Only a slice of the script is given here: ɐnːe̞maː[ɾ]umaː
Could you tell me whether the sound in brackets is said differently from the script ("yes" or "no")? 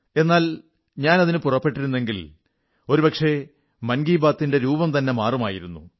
yes